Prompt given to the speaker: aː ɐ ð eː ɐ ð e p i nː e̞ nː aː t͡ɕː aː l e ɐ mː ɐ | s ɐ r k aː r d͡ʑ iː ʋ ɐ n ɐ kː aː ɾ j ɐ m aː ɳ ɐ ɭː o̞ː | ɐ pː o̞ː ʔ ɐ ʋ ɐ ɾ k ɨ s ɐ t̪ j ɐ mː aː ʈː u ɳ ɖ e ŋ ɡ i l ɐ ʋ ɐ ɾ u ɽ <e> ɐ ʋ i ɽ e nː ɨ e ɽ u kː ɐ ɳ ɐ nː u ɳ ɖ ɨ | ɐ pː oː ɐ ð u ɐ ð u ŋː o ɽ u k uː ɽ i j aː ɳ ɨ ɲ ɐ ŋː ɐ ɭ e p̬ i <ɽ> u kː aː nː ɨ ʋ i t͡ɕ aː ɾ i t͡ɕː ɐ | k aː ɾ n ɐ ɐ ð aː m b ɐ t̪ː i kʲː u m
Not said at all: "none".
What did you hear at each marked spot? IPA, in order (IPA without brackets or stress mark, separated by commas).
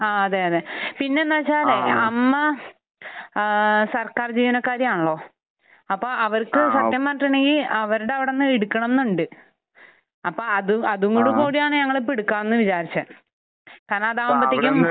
e, ɽ